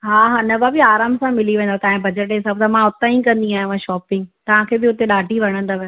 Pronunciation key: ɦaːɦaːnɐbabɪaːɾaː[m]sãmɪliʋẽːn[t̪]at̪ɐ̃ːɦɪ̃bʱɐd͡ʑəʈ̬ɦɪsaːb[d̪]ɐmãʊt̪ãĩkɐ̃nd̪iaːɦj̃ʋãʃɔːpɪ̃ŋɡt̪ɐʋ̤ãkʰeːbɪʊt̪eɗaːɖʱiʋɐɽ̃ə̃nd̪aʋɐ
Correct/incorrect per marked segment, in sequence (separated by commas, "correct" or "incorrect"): correct, incorrect, incorrect